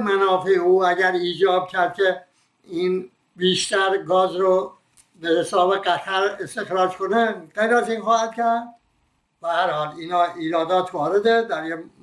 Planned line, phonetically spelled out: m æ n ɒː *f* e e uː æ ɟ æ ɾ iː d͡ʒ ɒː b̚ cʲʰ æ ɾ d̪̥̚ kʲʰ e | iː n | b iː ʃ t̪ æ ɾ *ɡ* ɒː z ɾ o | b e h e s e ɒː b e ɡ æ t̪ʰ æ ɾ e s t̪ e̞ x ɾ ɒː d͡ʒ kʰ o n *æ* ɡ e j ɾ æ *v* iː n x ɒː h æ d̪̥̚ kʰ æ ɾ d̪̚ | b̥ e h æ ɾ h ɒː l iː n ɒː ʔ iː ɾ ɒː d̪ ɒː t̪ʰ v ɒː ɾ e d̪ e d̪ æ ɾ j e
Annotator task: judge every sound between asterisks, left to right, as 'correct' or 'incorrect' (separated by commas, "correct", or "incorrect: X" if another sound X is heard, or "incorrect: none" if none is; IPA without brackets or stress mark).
correct, correct, incorrect: e, incorrect: z